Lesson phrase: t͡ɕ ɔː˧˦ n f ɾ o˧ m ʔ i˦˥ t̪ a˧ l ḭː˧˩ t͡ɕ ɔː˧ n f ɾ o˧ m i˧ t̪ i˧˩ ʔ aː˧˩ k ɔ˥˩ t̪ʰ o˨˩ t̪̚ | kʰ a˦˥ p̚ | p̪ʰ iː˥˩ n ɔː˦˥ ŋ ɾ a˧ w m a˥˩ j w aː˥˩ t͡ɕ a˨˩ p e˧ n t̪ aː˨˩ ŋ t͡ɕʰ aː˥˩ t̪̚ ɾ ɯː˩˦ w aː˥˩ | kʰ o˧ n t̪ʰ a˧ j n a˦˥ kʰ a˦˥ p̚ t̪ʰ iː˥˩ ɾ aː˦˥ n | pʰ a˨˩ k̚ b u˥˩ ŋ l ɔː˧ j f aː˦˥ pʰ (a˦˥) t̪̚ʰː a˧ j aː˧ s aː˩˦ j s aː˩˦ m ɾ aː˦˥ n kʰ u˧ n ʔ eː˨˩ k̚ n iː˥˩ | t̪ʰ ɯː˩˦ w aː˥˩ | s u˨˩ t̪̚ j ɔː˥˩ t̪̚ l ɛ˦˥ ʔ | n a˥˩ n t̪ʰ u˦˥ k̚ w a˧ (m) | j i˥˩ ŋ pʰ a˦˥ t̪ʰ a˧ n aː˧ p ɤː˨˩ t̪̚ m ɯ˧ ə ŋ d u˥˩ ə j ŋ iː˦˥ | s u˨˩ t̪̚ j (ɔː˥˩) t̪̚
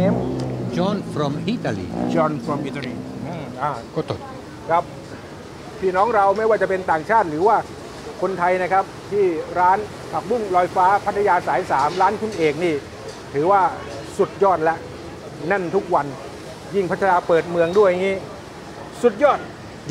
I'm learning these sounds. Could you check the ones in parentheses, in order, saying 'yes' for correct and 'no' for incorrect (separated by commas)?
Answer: yes, no, yes